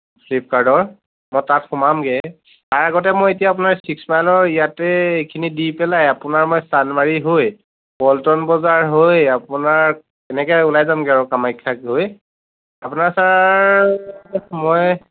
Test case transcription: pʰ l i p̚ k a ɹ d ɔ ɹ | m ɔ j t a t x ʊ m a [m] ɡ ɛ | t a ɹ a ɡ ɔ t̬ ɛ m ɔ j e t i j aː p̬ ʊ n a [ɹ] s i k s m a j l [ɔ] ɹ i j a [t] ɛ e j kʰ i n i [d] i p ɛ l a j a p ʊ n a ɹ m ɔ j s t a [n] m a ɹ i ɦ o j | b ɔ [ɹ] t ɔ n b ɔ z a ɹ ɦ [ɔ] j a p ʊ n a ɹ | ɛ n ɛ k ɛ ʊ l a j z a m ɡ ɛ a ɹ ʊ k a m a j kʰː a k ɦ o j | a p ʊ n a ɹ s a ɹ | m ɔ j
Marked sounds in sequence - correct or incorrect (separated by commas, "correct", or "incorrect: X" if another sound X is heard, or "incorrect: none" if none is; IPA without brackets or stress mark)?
correct, correct, correct, correct, correct, correct, incorrect: l, incorrect: o